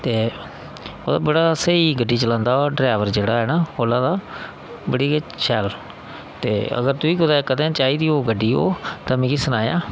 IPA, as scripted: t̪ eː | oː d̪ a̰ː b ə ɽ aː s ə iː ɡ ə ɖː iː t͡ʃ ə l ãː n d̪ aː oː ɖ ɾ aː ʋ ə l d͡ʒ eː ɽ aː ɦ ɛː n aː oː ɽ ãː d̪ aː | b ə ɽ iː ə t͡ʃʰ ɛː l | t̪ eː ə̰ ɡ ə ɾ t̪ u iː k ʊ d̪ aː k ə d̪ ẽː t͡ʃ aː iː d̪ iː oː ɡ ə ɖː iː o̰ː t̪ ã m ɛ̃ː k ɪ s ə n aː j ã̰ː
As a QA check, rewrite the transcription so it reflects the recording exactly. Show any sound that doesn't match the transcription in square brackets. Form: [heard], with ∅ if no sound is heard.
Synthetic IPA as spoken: t̪ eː | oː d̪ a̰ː b ə ɽ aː s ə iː ɡ ə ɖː iː t͡ʃ ə l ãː n d̪ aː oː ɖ ɾ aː ʋ ə [ɾ] d͡ʒ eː ɽ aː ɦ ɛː n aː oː [l] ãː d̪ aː | b ə ɽ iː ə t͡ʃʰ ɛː l | t̪ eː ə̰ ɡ ə ɾ t̪ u iː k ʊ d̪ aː k ə d̪ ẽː t͡ʃ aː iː d̪ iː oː ɡ ə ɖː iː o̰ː t̪ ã m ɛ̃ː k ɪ s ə n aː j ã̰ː